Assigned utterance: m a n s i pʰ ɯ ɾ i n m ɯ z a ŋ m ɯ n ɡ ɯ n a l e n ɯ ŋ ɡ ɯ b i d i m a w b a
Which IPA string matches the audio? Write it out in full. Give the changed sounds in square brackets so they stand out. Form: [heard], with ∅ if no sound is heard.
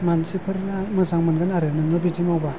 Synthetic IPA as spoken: m a n s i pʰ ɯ ɾ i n m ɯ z a ŋ m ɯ n ɡ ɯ n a [ɾ] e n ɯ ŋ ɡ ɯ b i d i m a w b a